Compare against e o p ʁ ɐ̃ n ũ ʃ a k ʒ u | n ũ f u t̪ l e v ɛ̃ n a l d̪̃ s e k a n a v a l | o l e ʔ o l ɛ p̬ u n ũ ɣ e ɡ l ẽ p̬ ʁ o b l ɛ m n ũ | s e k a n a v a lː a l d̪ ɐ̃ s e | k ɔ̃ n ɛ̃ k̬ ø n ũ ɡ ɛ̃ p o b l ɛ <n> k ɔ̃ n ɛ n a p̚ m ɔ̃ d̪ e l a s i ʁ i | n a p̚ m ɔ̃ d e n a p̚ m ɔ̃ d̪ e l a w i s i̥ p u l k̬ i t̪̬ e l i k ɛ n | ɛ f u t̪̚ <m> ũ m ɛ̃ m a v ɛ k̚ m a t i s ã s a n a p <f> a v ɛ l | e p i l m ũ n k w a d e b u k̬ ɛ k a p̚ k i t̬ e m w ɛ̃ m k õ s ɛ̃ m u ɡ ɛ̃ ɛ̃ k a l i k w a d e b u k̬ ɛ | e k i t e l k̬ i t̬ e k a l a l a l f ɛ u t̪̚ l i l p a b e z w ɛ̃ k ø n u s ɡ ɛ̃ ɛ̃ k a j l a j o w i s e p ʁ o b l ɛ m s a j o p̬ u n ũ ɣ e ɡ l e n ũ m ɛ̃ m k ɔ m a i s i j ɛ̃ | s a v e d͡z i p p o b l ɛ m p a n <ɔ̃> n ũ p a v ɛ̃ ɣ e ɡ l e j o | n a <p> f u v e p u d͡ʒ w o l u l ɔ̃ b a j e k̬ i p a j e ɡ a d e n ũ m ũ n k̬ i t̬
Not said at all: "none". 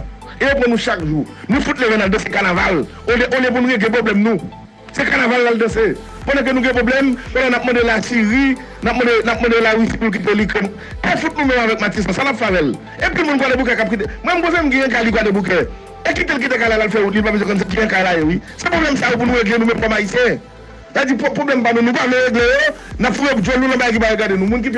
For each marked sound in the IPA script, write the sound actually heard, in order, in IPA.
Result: m, n, f, ũ, p

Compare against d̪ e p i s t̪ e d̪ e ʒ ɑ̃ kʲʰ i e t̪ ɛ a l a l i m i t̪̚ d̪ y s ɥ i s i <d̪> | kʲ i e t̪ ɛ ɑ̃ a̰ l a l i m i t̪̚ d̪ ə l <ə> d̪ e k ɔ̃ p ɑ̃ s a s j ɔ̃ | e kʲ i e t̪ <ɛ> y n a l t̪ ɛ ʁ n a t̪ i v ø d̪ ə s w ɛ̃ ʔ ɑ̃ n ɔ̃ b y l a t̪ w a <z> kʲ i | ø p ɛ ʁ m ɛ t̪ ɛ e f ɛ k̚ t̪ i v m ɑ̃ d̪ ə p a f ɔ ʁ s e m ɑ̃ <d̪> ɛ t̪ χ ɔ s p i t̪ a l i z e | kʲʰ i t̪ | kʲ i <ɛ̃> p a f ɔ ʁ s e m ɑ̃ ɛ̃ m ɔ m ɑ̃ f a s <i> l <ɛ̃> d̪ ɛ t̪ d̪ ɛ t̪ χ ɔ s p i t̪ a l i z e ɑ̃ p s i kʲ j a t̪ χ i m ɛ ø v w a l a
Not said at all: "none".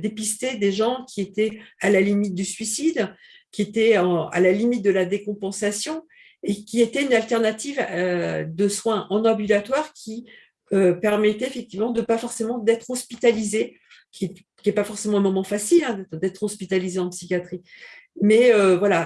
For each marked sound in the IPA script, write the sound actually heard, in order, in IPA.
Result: d̪, a, ɛ, ʁ, d̪, ɛ, i, ɛ̃

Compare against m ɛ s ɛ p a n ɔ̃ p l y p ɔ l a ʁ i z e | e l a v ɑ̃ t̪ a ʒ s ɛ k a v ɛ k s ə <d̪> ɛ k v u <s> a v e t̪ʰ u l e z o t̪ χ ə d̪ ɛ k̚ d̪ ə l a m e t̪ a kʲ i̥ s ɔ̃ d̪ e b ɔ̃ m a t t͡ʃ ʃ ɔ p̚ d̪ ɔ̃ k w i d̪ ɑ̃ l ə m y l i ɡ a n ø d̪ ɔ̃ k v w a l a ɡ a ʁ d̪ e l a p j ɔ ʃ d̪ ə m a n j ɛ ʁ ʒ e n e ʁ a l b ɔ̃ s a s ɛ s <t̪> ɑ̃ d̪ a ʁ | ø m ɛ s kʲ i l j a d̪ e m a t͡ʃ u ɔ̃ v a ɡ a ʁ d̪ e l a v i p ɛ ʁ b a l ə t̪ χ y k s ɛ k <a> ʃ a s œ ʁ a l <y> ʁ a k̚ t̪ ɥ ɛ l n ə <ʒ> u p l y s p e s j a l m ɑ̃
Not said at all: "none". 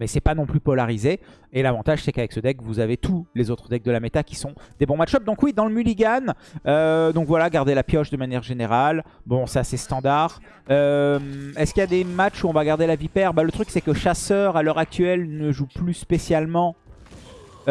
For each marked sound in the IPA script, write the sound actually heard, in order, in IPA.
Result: d̪, z, t̪, ə, œ, ʒ

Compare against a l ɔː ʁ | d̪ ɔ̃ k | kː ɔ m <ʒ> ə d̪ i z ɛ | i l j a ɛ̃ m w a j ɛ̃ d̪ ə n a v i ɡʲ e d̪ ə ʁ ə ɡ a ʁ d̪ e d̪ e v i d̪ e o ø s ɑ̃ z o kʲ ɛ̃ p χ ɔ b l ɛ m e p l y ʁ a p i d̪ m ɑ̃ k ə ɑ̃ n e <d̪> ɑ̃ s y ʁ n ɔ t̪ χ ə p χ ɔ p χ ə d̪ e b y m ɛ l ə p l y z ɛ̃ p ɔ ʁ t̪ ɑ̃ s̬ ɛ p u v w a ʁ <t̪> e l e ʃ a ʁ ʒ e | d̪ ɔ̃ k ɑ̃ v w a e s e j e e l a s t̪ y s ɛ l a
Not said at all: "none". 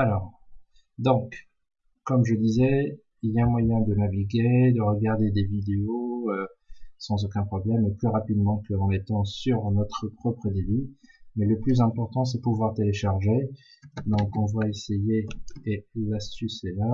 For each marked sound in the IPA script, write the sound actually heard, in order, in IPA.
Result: ʒ, t̪, t̪

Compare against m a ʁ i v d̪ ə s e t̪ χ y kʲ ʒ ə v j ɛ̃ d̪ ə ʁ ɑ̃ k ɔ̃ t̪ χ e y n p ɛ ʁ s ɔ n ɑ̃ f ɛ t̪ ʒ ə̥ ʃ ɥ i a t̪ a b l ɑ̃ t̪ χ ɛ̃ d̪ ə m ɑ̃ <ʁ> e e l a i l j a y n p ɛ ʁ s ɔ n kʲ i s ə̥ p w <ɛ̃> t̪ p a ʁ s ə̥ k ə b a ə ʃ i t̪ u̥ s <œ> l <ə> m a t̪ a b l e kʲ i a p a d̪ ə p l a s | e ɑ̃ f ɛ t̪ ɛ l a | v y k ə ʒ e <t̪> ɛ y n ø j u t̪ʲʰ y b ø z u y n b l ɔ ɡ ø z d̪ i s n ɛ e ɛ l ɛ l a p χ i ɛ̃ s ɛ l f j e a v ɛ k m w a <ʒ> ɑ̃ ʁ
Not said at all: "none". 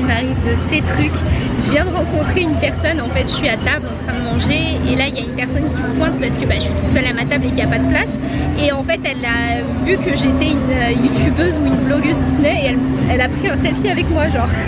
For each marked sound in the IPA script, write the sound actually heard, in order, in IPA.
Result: ʒ, ɛ̃, œ, a, t̪, ʒ

